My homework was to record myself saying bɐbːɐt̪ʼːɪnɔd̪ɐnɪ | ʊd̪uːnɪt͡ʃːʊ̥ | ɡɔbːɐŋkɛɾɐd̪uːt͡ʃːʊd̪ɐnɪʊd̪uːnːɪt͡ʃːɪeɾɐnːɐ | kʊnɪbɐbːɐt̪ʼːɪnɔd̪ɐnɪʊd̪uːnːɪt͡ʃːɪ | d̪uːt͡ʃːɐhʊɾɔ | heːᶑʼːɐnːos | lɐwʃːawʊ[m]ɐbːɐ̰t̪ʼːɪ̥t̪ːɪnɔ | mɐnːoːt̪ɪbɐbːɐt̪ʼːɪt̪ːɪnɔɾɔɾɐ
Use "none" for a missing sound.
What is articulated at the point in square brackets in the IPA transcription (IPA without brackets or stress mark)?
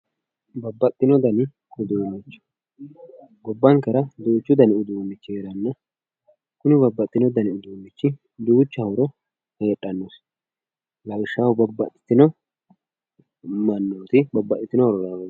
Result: b